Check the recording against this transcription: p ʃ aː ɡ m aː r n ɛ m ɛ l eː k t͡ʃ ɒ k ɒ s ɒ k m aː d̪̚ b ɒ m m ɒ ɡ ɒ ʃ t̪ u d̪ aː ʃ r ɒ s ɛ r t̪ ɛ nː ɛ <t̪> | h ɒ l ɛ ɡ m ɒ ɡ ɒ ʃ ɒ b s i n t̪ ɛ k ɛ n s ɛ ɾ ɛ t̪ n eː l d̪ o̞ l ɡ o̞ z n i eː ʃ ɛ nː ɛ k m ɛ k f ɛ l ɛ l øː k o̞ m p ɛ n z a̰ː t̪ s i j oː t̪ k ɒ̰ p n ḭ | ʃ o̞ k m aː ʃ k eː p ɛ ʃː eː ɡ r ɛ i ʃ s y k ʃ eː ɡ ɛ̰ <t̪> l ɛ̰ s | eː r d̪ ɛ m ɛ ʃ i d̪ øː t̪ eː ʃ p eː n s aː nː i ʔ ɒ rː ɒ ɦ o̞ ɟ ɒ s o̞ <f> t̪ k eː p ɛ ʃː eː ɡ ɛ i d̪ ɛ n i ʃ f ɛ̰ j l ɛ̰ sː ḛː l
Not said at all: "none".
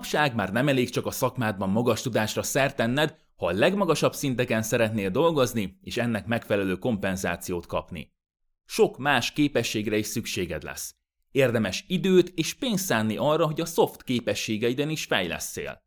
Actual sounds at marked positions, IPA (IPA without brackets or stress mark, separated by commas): d̪, d̪, f